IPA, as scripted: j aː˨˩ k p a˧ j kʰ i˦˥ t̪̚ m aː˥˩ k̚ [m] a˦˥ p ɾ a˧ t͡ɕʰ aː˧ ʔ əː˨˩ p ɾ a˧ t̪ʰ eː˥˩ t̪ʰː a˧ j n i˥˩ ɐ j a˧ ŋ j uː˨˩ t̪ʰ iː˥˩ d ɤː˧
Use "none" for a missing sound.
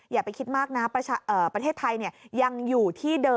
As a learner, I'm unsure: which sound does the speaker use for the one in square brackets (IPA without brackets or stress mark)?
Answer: n